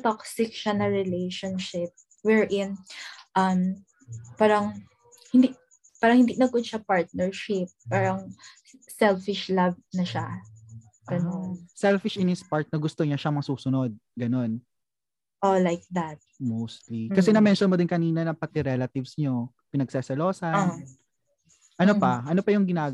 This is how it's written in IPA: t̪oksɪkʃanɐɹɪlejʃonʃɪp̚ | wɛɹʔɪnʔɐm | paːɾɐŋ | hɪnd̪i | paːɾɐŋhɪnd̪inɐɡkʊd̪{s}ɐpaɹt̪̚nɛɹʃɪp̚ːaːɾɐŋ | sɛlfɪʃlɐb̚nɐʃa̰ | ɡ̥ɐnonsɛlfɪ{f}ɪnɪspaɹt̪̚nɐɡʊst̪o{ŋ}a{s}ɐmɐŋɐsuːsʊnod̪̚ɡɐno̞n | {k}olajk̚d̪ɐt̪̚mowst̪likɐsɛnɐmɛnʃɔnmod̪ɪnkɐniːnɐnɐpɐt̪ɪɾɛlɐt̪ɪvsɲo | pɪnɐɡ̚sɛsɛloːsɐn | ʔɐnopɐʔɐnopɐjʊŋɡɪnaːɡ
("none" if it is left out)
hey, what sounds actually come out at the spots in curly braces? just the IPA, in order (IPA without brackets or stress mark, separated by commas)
ʃ, ʃ, ɲ, ʃ, ʔ